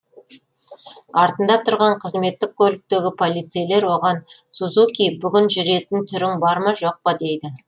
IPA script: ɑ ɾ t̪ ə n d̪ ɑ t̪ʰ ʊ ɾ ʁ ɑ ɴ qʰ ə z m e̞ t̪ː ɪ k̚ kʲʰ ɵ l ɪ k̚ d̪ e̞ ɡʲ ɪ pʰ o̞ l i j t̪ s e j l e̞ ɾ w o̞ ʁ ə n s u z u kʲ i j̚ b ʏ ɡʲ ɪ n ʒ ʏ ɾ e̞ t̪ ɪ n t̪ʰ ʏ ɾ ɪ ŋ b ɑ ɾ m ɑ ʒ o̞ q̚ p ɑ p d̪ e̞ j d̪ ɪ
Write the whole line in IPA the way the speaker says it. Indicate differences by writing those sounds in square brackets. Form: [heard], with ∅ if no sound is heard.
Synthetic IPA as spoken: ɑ ɾ t̪ ə n d̪ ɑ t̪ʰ ʊ ɾ ʁ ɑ ɴ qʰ ə z m e̞ t̪ː ɪ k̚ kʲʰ ɵ l ɪ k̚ [t̪] e̞ ɡʲ ɪ pʰ o̞ l i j t̪ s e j l e̞ ɾ w o̞ ʁ [ɑ] n s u z u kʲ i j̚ b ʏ ɡʲ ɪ n ʒ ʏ ɾ e̞ t̪ ɪ n t̪ʰ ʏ ɾ ɪ ŋ b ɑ ɾ m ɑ ʒ o̞ q̚ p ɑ [∅] d̪ e̞ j d̪ ɪ